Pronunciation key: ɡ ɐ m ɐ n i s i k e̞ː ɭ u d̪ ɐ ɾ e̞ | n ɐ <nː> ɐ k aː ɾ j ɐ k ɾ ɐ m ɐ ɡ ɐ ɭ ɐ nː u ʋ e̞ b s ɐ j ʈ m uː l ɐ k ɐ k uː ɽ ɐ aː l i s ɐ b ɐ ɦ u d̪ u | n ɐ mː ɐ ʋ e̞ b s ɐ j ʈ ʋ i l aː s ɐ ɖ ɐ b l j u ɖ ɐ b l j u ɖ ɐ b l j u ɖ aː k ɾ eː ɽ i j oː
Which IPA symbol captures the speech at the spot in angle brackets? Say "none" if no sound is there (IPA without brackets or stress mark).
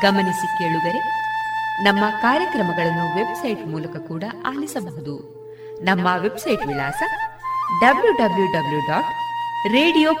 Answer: mː